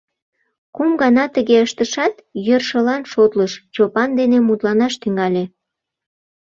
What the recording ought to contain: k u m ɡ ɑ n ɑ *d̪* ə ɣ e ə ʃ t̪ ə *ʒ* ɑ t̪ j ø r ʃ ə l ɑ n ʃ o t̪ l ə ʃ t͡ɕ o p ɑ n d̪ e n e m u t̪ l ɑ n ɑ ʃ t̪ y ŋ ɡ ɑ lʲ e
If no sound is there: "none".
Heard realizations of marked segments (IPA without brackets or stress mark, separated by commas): t̪, ʃ